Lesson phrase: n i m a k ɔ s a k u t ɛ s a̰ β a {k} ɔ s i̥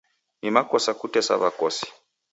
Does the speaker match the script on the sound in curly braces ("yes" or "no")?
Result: yes